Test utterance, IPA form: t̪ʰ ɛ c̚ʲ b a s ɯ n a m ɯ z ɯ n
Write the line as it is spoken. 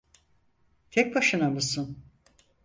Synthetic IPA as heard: t̪ʰ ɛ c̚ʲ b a ʃ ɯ n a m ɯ s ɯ n